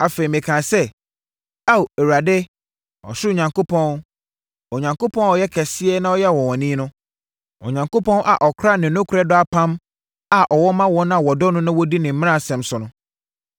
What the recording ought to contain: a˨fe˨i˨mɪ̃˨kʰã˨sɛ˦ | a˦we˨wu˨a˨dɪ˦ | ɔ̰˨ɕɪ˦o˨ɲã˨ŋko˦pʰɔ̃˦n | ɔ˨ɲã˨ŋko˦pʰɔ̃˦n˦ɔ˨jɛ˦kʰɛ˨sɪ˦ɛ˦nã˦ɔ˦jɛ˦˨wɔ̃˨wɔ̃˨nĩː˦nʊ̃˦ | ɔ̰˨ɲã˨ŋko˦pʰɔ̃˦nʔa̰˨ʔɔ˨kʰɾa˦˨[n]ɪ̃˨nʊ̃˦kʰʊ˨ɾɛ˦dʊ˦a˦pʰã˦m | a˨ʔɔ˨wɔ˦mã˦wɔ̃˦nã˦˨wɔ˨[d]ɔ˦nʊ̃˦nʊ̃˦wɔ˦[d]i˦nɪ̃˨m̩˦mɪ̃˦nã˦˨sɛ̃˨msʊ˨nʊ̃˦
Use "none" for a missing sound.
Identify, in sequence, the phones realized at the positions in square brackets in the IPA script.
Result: n, d, d

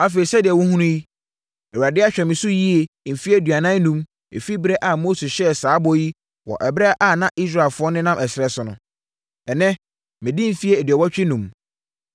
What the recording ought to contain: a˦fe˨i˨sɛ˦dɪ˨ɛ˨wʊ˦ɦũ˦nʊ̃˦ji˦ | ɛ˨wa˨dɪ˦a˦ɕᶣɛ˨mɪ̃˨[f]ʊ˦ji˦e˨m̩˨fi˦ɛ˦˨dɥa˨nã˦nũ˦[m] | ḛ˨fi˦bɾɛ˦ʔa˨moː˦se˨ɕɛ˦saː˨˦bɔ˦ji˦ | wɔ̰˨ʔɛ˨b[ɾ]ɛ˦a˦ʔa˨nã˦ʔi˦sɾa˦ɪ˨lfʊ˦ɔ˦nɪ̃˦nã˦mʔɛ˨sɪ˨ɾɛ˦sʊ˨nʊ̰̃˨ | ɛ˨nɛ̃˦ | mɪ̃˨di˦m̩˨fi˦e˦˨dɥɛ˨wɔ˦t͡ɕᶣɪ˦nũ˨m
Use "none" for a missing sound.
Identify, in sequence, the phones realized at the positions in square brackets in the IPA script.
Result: s, m, ɾ

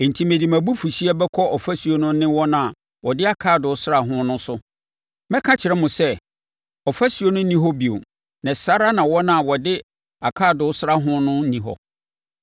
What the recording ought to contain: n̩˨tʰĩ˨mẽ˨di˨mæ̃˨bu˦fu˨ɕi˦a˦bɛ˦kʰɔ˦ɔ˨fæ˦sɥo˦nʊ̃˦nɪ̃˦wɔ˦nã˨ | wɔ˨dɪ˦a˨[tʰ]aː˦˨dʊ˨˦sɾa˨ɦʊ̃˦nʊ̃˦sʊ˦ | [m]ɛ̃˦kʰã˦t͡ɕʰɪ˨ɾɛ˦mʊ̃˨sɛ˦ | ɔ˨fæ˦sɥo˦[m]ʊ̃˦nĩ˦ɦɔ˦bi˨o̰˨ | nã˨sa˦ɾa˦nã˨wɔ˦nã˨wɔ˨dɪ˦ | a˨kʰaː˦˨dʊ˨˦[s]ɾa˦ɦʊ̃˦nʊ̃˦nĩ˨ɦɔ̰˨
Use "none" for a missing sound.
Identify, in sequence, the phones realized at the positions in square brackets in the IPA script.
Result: kʰ, m, n, s

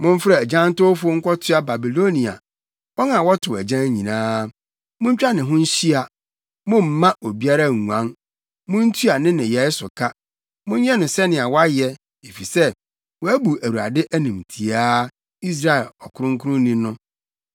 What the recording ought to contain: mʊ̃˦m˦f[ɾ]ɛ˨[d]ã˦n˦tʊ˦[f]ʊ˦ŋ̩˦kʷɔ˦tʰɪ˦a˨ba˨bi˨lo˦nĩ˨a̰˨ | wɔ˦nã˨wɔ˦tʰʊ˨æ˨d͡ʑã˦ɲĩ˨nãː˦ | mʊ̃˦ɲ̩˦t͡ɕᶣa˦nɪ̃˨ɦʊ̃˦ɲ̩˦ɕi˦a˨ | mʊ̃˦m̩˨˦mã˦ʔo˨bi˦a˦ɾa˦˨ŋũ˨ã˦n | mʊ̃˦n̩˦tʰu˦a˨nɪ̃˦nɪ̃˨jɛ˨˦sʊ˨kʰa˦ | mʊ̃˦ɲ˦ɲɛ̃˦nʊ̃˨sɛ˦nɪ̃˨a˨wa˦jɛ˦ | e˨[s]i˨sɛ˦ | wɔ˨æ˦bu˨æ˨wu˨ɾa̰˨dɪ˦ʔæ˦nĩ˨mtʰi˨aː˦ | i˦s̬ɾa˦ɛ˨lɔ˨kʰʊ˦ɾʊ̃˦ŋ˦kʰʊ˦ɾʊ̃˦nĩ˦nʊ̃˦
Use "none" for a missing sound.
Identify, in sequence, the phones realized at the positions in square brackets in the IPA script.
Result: ɾ, d͡ʑ, f, f

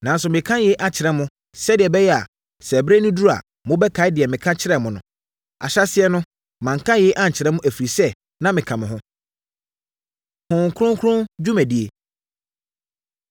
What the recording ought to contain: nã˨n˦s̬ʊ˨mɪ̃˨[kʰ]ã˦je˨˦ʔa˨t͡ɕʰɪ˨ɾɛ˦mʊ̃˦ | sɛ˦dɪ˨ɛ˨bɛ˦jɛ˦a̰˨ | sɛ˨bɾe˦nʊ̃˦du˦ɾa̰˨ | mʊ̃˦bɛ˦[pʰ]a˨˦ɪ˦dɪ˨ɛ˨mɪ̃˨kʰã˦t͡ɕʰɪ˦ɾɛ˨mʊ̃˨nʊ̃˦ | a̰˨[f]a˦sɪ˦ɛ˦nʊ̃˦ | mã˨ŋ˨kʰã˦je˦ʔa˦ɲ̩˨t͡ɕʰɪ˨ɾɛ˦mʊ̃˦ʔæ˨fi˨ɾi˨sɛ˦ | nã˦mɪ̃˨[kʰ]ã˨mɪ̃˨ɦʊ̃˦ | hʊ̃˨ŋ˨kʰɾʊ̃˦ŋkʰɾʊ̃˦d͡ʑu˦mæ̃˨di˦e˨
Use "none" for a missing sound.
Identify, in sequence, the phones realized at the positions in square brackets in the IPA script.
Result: kʰ, kʰ, ɕ, kʰ

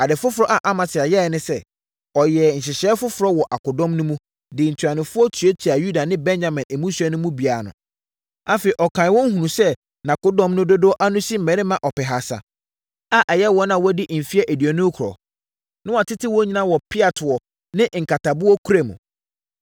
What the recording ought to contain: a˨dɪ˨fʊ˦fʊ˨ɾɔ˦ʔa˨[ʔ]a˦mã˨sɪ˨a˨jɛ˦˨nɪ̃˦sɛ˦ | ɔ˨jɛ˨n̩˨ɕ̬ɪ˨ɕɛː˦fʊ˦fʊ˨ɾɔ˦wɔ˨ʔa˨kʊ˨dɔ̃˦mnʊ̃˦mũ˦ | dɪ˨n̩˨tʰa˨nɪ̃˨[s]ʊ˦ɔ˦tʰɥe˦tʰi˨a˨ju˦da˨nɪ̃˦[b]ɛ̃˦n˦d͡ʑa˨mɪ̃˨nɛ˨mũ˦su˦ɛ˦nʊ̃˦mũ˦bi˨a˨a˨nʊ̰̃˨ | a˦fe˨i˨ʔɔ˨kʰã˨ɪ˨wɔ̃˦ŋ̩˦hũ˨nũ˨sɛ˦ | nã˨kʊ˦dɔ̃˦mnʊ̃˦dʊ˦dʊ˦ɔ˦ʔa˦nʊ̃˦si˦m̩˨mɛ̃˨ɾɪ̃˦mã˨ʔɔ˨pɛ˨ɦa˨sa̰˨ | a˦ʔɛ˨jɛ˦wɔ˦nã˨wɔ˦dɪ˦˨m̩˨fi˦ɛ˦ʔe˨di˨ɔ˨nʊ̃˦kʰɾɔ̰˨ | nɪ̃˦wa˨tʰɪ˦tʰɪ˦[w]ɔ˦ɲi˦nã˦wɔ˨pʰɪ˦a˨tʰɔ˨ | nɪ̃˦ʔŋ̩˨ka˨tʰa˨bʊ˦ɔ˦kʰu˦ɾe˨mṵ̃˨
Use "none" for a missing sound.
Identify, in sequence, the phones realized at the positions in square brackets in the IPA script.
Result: ʔ, f, b, w

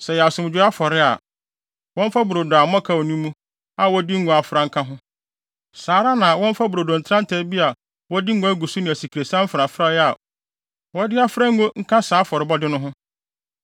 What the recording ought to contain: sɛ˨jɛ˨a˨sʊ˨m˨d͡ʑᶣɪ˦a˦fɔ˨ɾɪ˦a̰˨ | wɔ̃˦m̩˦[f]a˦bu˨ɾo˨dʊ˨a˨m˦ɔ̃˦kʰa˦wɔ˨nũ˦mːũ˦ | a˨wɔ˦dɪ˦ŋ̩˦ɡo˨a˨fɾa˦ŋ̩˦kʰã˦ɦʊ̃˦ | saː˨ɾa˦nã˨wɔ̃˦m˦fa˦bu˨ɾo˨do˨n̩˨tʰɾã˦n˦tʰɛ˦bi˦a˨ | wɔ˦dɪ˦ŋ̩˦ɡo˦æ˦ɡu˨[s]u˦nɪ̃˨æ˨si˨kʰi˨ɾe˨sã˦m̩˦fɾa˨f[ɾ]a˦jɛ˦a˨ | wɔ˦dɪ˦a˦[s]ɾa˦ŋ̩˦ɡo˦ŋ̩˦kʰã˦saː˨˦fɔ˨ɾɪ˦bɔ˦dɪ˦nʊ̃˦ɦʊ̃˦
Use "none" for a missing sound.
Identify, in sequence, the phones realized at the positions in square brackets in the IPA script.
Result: f, s, ɾ, f

